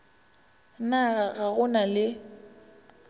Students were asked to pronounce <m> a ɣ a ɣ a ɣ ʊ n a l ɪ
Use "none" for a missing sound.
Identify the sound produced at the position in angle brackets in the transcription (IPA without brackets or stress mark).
n